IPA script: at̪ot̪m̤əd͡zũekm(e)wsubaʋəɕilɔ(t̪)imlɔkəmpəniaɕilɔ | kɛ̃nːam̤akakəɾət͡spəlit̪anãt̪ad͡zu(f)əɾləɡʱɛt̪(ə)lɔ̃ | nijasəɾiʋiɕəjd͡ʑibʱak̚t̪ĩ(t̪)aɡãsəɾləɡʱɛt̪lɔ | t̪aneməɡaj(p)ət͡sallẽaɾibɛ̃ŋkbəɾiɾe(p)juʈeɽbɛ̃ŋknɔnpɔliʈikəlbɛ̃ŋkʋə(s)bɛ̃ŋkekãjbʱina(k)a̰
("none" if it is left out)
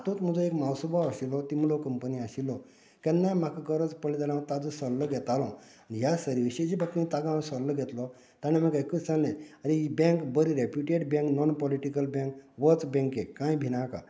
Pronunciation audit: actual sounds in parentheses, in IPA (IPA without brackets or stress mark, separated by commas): a, t̪, s, a, t̪, k, p, t͡s, k